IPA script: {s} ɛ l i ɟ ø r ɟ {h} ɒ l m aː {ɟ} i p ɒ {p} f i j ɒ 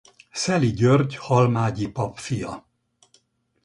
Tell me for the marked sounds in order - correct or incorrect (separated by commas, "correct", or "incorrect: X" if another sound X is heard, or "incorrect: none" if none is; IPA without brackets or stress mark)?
correct, correct, correct, correct